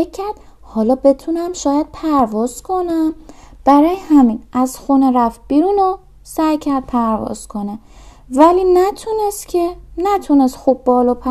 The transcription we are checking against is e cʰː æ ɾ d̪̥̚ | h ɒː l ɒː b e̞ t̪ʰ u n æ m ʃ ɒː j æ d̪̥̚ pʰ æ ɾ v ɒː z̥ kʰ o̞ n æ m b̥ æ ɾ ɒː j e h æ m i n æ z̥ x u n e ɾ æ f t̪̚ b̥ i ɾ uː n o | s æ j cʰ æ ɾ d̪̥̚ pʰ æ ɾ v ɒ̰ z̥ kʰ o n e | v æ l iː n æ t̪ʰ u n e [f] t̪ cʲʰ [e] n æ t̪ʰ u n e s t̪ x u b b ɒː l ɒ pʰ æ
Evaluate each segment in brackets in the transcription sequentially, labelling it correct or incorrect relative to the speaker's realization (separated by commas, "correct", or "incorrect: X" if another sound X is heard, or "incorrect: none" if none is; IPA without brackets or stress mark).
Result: incorrect: s, correct